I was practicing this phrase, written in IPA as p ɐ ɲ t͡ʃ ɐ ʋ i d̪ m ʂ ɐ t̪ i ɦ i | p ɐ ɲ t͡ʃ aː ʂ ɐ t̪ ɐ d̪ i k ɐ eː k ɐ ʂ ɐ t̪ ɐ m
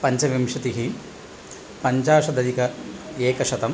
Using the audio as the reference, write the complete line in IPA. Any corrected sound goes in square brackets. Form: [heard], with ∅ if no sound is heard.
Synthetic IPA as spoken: p ɐ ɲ t͡ʃ ɐ ʋ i [∅] m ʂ ɐ t̪ i ɦ i | p ɐ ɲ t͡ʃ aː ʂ ɐ [d̪] ɐ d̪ i k ɐ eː k ɐ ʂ ɐ t̪ ɐ m